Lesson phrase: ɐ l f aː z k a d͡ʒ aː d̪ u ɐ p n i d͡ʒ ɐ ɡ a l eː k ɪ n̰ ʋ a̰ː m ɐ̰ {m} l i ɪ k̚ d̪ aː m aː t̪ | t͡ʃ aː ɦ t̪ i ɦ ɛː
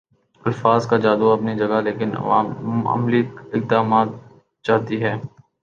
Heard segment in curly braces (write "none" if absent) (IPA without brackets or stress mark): m